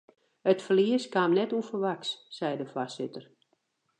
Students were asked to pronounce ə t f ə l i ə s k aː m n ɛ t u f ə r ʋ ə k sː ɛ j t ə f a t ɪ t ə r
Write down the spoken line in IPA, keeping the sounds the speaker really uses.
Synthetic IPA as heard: ə t f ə l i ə s k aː m n ɛ t u f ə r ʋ a k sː ɛ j d ə f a s ɪ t ə r